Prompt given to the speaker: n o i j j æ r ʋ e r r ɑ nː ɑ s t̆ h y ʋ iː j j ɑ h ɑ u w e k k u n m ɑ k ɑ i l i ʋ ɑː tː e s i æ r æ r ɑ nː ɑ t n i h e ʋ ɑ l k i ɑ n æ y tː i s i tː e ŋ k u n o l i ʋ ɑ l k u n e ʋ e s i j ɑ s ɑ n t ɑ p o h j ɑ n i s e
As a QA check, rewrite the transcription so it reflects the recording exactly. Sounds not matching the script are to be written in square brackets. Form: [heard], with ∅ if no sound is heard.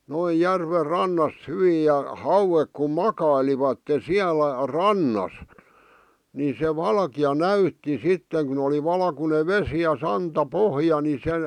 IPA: n o i j j æ r ʋ e r r ɑ nː ɑ s t̆ h y ʋ iː j j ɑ h ɑ u w e k k u [m] m ɑ k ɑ i l i ʋ [ɑ] tː e s i æ [l] æ r ɑ nː ɑ [s] n i [s] e ʋ ɑ l k i ɑ n æ y tː i s i tː e ŋ k u n o l i ʋ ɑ l k u n e ʋ e s i j ɑ s ɑ n t ɑ p o h j ɑ n i s e